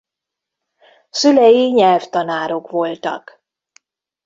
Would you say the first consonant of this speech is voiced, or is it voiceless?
voiceless